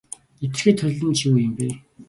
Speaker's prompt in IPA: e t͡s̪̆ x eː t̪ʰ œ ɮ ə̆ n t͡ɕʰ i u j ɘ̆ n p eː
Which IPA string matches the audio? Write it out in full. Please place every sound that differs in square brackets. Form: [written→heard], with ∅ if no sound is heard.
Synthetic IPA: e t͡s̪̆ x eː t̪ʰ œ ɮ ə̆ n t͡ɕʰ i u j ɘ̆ [n→m] p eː